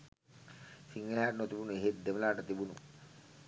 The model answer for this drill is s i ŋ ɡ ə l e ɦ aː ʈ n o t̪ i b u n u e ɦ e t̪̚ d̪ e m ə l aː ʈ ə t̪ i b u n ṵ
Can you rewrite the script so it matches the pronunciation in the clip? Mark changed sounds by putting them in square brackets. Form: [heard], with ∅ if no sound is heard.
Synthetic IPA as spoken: s i ŋ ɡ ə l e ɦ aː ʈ n o t̪ i b u n u e ɦ e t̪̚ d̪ e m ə l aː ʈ ə t̪ i b u n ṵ